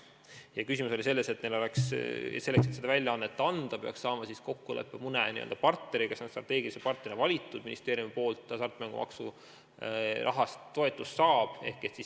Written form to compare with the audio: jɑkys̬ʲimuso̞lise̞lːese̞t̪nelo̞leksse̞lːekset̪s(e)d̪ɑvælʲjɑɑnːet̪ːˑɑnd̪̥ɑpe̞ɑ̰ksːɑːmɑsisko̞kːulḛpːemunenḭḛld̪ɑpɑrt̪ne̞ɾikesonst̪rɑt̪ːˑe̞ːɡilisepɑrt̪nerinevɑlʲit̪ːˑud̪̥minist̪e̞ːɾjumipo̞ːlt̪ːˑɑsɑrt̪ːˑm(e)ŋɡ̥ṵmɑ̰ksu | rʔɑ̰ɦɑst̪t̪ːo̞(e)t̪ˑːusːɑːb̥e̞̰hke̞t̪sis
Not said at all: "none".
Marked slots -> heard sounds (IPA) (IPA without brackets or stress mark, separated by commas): e, æ, e